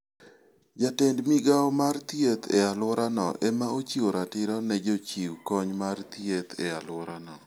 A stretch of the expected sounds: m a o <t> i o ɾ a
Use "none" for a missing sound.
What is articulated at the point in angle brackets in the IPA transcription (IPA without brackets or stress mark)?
t͡ʃ